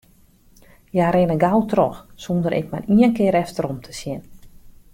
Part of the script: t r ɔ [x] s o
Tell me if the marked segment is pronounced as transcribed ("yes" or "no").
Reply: yes